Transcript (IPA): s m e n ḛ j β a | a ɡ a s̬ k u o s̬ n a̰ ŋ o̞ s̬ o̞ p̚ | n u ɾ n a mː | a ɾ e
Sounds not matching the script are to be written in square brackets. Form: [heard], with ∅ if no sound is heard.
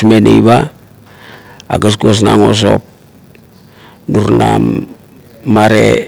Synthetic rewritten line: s m e n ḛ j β a | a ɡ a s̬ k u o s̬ n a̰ ŋ o̞ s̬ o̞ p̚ | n u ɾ n a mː | a ɾ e